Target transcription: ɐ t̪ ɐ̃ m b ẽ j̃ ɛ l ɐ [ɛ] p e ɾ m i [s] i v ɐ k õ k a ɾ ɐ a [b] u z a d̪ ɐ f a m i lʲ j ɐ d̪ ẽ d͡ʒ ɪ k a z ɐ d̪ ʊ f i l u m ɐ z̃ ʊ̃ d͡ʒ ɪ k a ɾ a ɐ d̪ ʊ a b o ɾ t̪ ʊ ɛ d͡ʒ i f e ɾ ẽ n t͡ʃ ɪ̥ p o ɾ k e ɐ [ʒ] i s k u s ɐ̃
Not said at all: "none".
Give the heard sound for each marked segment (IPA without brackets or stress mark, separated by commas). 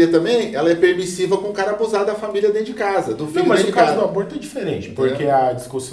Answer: ɛ, s, b, d͡ʒ